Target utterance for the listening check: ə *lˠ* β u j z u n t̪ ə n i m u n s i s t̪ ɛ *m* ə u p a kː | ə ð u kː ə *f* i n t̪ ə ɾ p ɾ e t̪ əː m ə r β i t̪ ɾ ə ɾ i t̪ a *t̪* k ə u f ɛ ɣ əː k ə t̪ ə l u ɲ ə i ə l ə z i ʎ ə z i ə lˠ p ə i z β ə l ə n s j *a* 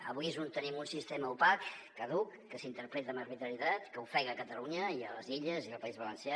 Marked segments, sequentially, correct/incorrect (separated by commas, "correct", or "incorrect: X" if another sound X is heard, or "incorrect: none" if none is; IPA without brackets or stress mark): incorrect: none, correct, incorrect: s, correct, correct